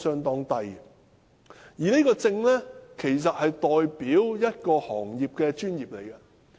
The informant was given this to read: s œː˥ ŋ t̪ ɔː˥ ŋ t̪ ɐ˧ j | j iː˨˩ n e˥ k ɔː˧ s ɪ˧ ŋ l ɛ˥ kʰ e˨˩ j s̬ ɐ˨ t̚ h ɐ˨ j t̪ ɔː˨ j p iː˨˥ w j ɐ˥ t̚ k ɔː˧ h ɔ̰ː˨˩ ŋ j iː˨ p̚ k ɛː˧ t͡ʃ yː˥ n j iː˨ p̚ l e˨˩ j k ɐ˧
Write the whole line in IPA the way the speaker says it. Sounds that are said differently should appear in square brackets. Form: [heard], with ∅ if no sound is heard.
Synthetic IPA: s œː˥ ŋ t̪ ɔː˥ ŋ t̪ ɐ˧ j | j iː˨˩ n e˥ k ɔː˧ [t͡s] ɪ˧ ŋ l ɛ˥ kʰ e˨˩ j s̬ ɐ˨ t̚ h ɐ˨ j t̪ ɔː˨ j p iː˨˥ w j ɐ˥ t̚ k ɔː˧ h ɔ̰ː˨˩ ŋ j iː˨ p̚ k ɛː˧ t͡ʃ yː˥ n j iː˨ p̚ l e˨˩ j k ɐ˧

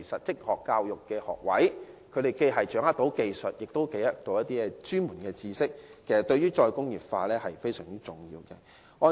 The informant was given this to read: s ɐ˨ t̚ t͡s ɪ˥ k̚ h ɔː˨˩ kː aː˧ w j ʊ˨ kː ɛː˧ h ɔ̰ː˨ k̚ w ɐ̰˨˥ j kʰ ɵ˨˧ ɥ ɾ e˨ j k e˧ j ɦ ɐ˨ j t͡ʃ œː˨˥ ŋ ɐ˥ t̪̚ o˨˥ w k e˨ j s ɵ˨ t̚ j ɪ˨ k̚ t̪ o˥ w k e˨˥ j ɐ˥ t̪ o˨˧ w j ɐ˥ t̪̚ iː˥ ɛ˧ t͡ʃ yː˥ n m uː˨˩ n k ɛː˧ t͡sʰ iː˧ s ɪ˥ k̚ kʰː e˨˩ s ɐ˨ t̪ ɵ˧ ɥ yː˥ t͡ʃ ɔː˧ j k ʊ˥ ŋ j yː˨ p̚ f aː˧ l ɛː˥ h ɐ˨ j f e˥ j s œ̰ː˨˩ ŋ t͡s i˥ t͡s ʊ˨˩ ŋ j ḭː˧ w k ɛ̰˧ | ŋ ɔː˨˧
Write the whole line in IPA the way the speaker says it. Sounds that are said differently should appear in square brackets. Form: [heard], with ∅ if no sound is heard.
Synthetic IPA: s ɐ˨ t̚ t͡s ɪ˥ k̚ h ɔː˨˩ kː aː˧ w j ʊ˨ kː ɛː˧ h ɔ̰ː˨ k̚ w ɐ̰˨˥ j kʰ ɵ˨˧ ɥ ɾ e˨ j k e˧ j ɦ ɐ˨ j t͡ʃ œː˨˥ ŋ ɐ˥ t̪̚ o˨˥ w k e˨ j s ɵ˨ t̚ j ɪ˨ k̚ t̪ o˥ w k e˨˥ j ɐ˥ t̪ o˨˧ w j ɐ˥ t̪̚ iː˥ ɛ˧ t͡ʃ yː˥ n m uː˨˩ n k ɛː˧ [t͡s] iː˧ s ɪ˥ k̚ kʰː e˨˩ s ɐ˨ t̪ ɵ˧ ɥ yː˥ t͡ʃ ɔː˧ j k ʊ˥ ŋ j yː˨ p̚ f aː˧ l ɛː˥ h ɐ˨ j f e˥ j s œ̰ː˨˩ ŋ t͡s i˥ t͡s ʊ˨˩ ŋ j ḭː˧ w k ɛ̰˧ | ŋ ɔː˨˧

